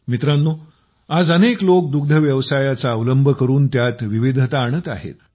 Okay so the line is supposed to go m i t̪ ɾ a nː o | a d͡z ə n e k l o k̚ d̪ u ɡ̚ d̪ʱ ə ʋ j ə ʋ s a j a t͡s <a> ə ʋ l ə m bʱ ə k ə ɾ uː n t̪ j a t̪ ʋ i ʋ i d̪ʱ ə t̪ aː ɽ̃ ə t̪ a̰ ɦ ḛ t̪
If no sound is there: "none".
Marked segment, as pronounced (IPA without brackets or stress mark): a